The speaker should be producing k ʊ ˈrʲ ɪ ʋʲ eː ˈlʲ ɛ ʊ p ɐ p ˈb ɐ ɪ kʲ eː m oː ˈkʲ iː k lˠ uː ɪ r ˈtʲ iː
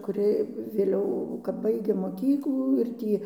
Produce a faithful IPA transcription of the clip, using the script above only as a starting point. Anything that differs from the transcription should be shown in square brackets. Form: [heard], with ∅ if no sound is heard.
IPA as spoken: k ʊ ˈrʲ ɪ ʋʲ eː ˈlʲ ɛ ʊ [k] ɐ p ˈb ɐ ɪ [ɡʲ] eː m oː ˈkʲ iː k lˠ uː ɪ r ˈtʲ iː